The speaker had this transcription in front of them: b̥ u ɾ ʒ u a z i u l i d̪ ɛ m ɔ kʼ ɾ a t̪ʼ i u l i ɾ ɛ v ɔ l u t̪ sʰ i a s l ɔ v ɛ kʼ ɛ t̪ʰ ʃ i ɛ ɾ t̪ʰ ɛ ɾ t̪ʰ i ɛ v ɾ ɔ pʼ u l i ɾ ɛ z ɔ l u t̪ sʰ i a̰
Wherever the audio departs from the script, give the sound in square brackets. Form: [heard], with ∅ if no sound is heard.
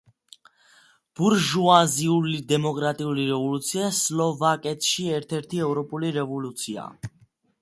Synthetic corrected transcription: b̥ u ɾ ʒ u a z i u l i d̪ ɛ m ɔ kʼ ɾ a t̪ʼ i u l i ɾ ɛ v ɔ l u t̪ sʰ i a s l ɔ v [a] kʼ ɛ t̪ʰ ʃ i ɛ ɾ t̪ʰ ɛ ɾ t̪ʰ i ɛ v ɾ ɔ pʼ u l i ɾ ɛ [v] ɔ l u t̪ sʰ i a̰